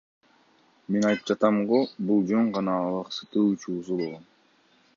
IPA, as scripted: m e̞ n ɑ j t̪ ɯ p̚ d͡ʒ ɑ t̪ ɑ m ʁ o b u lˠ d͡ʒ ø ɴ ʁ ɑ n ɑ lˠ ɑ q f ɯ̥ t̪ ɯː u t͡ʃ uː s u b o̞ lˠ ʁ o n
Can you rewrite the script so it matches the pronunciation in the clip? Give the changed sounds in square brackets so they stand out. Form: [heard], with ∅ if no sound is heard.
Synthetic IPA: m e̞ n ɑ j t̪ ɯ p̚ d͡ʒ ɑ t̪ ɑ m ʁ o b u lˠ d͡ʒ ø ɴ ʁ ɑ n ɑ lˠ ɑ q [s] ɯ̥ t̪ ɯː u t͡ʃ uː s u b o̞ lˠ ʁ o n